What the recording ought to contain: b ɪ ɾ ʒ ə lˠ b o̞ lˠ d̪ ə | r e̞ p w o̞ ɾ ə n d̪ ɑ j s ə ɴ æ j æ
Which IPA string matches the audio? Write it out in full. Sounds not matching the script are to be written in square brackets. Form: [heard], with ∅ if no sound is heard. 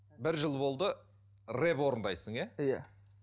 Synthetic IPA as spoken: b ɪ ɾ ʒ ə lˠ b o̞ lˠ d̪ ə | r e̞ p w o̞ ɾ ə n d̪ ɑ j s ə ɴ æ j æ